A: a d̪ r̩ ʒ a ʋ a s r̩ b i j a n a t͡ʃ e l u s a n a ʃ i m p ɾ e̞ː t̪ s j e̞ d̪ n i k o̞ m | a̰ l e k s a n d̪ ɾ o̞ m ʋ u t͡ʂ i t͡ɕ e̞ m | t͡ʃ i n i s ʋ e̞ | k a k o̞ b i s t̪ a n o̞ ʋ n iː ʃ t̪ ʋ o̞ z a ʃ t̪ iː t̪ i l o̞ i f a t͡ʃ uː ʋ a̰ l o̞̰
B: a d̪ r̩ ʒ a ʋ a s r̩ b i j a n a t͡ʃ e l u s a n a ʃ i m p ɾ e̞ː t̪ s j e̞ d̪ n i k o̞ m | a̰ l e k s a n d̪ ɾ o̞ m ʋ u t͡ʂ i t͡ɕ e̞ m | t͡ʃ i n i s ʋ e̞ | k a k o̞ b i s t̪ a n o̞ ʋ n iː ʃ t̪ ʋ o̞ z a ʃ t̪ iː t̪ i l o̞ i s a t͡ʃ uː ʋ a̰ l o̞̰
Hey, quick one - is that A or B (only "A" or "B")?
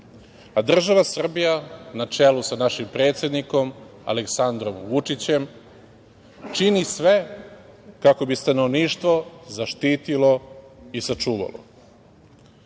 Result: B